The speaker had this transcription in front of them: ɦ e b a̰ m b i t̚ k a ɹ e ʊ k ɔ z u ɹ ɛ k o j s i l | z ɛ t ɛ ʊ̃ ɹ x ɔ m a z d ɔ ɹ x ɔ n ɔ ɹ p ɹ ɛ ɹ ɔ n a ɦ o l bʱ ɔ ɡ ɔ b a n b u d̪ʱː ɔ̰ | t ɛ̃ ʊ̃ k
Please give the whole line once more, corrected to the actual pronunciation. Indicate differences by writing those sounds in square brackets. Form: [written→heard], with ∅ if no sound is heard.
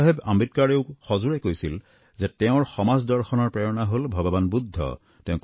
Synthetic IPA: ɦ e b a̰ m b i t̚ k a ɹ e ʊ [k→x] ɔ z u ɹ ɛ k o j s i l | z ɛ t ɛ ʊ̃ ɹ x ɔ m a z d ɔ ɹ x ɔ n ɔ ɹ p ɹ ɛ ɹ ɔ n a ɦ o l bʱ ɔ ɡ ɔ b a n b u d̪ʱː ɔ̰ | t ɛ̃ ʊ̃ k